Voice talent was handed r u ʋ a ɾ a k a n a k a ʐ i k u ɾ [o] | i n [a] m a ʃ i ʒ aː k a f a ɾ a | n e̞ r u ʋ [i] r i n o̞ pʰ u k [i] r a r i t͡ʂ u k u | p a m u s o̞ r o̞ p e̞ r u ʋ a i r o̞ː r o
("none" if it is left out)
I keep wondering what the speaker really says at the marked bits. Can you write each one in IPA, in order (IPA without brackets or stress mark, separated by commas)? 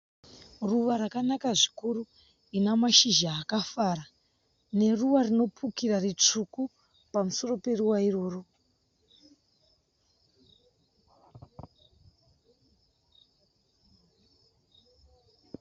u, a, a, i